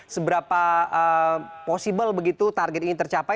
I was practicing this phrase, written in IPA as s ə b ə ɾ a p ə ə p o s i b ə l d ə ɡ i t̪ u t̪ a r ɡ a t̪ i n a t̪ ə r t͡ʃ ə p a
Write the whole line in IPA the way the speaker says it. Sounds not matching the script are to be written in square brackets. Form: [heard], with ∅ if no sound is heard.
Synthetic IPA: s ə b ə ɾ a p [a] ə p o s i b ə l [b] ə ɡ i t̪ u t̪ a r ɡ [ɛ] t̪ i n [i] t̪ ə r t͡ʃ [a] p a